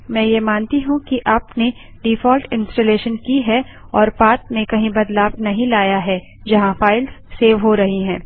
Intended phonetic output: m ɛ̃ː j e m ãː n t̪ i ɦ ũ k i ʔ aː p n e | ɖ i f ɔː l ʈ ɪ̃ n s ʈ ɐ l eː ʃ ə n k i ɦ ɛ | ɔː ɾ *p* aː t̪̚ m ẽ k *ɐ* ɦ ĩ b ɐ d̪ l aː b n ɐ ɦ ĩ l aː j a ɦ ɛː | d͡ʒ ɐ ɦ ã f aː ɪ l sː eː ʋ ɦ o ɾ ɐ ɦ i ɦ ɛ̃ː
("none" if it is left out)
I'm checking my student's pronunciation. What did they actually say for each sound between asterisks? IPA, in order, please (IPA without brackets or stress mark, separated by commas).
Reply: p, ɐ